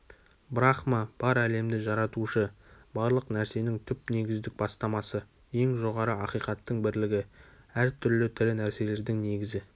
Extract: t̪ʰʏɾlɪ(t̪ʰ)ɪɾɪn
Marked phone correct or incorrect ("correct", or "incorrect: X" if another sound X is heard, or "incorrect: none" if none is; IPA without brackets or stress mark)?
correct